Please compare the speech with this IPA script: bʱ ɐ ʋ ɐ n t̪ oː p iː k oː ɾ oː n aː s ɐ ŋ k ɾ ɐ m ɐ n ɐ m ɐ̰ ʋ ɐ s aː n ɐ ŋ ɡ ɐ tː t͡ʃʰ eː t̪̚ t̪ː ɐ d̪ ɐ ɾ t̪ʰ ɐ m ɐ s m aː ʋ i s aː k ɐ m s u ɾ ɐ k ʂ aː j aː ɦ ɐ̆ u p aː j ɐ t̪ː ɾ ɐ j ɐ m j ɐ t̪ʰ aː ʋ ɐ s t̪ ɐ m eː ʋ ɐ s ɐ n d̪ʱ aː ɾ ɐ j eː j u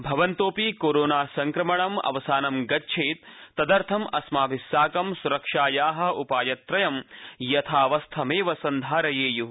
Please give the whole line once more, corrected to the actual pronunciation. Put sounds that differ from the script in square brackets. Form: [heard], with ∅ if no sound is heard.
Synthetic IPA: bʱ ɐ ʋ ɐ n t̪ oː p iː k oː ɾ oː n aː s ɐ ŋ k ɾ ɐ m ɐ [ɳ] ɐ m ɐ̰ ʋ ɐ s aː n ɐ [m] ɡ ɐ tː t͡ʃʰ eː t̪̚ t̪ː ɐ d̪ ɐ ɾ t̪ʰ ɐ m ɐ s m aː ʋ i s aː k ɐ m s u ɾ ɐ k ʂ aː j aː ɦ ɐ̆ u p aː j ɐ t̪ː ɾ ɐ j ɐ m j ɐ t̪ʰ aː ʋ ɐ s [t̪ʰ] ɐ m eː ʋ ɐ s ɐ n d̪ʱ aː ɾ ɐ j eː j u

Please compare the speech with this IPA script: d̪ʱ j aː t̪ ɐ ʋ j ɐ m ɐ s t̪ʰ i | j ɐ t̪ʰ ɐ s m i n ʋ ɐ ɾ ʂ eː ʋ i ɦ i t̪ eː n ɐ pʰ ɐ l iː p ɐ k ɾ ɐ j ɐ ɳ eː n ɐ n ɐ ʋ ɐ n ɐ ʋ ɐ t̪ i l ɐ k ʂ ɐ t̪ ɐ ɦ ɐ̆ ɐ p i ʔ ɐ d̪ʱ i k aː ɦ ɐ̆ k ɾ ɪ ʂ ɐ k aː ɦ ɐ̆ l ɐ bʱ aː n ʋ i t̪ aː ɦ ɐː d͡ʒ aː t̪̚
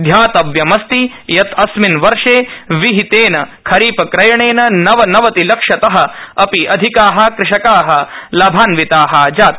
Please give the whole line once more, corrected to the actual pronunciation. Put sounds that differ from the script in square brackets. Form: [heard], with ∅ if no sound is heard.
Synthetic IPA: d̪ʱ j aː t̪ ɐ ʋ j ɐ m ɐ s [t̪] i | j ɐ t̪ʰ ɐ s m i n ʋ ɐ ɾ ʂ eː ʋ i ɦ i t̪ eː n ɐ [kʰ] ɐ [ɾ] iː p ɐ k ɾ ɐ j ɐ ɳ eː n ɐ n ɐ ʋ ɐ n ɐ ʋ ɐ t̪ i l ɐ k ʂ ɐ t̪ ɐ ɦ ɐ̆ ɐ p i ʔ ɐ d̪ʱ i k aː ɦ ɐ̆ k ɾ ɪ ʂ ɐ k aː ɦ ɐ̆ l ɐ bʱ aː n ʋ i t̪ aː ɦ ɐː d͡ʒ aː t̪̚

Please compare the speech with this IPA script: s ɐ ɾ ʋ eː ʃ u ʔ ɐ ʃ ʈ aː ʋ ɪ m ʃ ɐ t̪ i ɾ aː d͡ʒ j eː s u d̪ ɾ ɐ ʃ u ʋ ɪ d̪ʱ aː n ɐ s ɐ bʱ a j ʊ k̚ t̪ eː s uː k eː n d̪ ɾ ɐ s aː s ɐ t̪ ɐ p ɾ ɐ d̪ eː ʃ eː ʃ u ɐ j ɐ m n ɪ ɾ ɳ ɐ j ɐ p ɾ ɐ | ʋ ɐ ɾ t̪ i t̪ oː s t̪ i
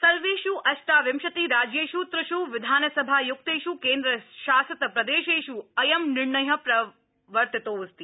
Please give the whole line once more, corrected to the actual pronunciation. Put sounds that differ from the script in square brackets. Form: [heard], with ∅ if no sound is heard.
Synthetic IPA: s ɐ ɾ ʋ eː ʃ u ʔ ɐ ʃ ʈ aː ʋ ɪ m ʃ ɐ t̪ i ɾ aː d͡ʒ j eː [ʃ] u [t̪] ɾ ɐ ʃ u ʋ ɪ d̪ʱ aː n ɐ s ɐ bʱ a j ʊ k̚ t̪ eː [ʃ] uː k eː n d̪ ɾ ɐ [ʃ] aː s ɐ t̪ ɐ p ɾ ɐ d̪ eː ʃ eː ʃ u ɐ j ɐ m n ɪ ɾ ɳ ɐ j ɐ p ɾ ɐ | ʋ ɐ ɾ t̪ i t̪ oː s t̪ i

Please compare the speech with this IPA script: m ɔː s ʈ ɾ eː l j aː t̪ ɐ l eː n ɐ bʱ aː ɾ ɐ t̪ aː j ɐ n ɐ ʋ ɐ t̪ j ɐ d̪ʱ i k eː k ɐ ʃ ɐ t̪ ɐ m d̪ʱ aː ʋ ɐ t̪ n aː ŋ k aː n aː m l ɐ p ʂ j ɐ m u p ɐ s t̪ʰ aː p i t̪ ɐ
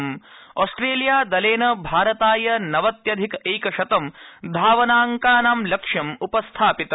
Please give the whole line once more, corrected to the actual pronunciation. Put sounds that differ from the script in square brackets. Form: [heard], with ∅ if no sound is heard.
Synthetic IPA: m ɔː s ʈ ɾ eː l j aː [d̪] ɐ l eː n ɐ bʱ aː ɾ ɐ t̪ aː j ɐ n ɐ ʋ ɐ t̪ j ɐ d̪ʱ i k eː k ɐ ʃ ɐ t̪ ɐ m d̪ʱ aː ʋ ɐ [∅] n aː ŋ k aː n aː m l ɐ [k] ʂ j ɐ m u p ɐ s t̪ʰ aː p i t̪ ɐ

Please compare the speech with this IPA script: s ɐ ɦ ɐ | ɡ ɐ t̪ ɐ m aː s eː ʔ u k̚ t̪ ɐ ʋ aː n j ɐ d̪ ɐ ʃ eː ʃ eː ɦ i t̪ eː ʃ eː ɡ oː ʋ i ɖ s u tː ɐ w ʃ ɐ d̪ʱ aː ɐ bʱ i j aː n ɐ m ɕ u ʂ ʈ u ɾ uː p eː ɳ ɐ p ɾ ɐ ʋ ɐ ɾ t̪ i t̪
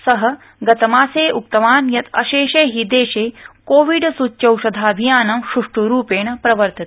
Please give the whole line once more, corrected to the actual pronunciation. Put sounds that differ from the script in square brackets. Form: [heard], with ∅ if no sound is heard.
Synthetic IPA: s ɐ ɦ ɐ | ɡ ɐ t̪ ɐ m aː s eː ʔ u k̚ t̪ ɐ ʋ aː n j ɐ [t̪] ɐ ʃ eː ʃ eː ɦ i [d̪] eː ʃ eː [k] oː ʋ i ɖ s u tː ɐ w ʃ ɐ d̪ʱ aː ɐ bʱ i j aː n ɐ m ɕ u ʂ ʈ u ɾ uː p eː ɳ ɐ p ɾ ɐ ʋ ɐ ɾ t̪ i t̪

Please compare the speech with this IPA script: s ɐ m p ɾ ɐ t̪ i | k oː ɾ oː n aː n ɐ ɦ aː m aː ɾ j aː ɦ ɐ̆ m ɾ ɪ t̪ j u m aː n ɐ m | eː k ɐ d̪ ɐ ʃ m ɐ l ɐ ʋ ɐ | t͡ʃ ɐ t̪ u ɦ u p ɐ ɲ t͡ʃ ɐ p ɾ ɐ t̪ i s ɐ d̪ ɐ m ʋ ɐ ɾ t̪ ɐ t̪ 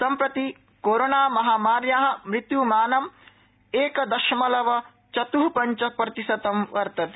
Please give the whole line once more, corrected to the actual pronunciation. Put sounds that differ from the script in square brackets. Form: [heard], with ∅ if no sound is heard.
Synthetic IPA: s ɐ m p ɾ ɐ t̪ i | k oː ɾ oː n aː [m] ɐ ɦ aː m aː ɾ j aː ɦ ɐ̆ m ɾ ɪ t̪ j u m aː n ɐ m | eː k ɐ d̪ ɐ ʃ m ɐ l ɐ ʋ ɐ | t͡ʃ ɐ t̪ u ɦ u p ɐ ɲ t͡ʃ ɐ p ɾ ɐ t̪ i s ɐ [t̪] ɐ m ʋ ɐ ɾ t̪ ɐ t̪

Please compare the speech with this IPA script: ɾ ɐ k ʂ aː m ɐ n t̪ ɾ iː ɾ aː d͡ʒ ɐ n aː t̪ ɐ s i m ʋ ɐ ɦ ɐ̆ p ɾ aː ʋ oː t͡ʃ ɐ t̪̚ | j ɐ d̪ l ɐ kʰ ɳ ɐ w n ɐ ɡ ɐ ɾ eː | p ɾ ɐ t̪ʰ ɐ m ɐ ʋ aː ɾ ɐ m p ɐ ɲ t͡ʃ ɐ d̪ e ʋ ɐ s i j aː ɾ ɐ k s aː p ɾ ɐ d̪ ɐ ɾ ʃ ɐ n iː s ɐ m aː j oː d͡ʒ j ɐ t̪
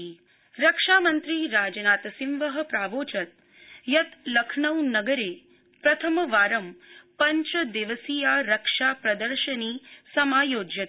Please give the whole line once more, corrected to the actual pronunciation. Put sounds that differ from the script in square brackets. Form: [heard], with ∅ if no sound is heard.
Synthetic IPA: ɾ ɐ k ʂ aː m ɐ n t̪ ɾ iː ɾ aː d͡ʒ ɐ n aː t̪ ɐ s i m ʋ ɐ ɦ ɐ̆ p ɾ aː ʋ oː t͡ʃ ɐ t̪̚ | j ɐ [t̪] l ɐ kʰ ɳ ɐ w n ɐ ɡ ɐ ɾ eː | p ɾ ɐ t̪ʰ ɐ m ɐ ʋ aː ɾ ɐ m p ɐ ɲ t͡ʃ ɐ d̪ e ʋ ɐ s i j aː ɾ ɐ k [ʂ] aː p ɾ ɐ d̪ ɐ ɾ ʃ ɐ n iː s ɐ m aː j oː d͡ʒ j ɐ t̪

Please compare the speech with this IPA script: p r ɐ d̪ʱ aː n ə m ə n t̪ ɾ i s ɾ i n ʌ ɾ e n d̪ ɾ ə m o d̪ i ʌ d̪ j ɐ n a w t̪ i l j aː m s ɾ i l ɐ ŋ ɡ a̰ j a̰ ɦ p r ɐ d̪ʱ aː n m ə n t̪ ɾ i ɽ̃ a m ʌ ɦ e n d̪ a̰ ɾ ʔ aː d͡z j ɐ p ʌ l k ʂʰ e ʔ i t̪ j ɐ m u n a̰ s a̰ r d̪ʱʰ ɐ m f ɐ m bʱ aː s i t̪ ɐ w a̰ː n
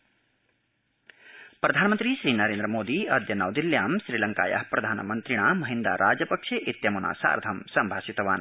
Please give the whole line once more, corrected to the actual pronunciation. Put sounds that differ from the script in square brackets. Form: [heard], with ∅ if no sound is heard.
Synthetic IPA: p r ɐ d̪ʱ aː n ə m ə n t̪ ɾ i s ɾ i n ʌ ɾ e n d̪ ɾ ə m o d̪ i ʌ d̪ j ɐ n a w [d̪] i l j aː m s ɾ i l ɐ ŋ [k] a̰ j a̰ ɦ p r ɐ d̪ʱ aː n m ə n t̪ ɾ i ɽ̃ a m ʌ ɦ [i] n d̪ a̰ ɾ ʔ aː d͡z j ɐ p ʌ [∅] k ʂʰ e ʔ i t̪ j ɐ m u n a̰ s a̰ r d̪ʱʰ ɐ m [s] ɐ m bʱ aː s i t̪ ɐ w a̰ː n

